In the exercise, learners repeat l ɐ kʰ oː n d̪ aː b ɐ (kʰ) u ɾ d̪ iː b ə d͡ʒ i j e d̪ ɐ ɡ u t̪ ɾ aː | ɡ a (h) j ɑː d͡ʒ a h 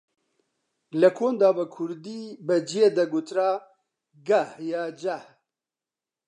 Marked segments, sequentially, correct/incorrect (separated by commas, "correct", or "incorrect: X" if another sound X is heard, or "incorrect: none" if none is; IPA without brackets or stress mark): correct, correct